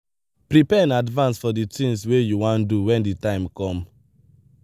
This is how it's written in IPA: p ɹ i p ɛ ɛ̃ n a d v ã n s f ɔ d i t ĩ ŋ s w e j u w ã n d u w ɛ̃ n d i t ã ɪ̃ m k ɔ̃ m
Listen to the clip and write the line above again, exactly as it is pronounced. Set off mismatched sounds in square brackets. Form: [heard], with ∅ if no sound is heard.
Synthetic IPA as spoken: p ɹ i p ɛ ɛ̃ n a d v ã n s f ɔ d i t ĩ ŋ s w e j u w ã n d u w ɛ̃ n d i t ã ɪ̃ m k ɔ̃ m